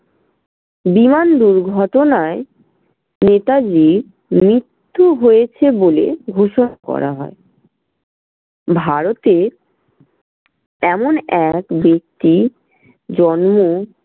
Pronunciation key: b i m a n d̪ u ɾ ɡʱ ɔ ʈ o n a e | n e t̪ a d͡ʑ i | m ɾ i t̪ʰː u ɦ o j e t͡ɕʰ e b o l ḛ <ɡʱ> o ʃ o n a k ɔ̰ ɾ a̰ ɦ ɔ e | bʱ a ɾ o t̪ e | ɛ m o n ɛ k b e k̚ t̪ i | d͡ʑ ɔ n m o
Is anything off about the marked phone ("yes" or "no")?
no